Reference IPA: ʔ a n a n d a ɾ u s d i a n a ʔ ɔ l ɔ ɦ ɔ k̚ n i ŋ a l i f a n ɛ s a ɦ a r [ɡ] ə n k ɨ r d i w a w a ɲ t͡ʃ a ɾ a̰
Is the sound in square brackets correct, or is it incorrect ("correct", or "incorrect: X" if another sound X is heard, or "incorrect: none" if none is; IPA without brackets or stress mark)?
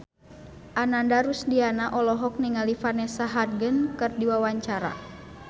correct